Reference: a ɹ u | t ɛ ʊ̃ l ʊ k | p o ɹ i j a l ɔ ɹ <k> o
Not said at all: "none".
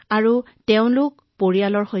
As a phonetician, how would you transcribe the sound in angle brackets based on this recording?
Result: x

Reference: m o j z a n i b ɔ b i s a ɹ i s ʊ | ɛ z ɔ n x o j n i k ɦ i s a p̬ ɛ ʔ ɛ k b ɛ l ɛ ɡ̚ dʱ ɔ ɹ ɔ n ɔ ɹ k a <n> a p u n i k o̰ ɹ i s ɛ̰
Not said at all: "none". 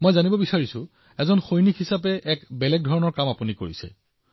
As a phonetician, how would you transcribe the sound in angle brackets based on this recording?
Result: m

